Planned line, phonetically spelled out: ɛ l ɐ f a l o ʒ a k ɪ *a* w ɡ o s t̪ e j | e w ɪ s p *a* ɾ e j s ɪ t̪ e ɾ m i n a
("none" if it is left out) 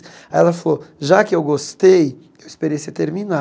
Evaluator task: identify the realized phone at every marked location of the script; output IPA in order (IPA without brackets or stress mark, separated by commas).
e, e